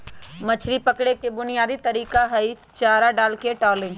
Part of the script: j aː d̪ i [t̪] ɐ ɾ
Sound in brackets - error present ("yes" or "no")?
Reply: no